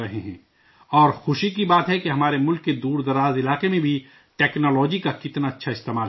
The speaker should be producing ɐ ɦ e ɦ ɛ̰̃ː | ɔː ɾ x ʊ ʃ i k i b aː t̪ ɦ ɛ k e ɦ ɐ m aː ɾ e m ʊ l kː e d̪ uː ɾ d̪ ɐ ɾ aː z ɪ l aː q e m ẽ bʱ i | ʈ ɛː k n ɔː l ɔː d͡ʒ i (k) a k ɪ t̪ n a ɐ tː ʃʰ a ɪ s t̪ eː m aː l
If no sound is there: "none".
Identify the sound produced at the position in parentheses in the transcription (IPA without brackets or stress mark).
k